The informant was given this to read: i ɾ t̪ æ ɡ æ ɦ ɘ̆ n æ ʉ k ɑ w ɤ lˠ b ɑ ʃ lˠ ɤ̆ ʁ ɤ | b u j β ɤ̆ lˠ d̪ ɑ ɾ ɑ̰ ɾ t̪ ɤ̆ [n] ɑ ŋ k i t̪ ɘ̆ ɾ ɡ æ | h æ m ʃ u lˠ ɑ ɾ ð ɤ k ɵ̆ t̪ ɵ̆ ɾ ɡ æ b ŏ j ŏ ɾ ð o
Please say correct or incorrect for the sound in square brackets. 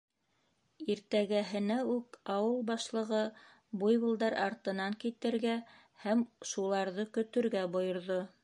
correct